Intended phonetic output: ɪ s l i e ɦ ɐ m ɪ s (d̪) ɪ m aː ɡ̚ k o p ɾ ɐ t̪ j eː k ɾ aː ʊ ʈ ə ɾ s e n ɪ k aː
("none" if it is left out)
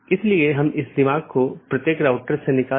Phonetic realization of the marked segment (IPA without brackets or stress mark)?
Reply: d̪